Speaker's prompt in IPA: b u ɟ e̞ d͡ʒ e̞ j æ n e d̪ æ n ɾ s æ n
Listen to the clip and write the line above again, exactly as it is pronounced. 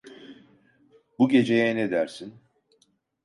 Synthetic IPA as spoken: b u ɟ e̞ d͡ʒ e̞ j ɛ n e d̪ æ ɾ s i n